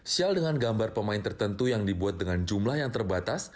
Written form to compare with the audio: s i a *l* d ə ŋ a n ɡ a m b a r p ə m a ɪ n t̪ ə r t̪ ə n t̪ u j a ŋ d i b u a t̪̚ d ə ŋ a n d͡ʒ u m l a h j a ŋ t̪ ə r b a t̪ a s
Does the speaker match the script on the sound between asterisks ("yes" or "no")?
yes